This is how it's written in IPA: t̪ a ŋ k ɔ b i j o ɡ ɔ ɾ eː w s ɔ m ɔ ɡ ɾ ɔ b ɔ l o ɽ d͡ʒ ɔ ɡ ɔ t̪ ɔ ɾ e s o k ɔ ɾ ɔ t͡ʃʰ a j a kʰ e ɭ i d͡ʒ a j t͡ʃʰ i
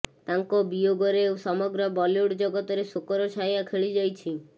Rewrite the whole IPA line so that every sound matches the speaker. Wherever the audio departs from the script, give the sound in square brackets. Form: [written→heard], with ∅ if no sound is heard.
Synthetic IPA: t̪ a ŋ k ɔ b i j o ɡ ɔ ɾ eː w s ɔ m ɔ ɡ ɾ ɔ b ɔ l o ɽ d͡ʒ ɔ ɡ ɔ t̪ ɔ ɾ e s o k ɔ ɾ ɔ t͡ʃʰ a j a kʰ e ɭ i d͡ʒ a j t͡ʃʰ i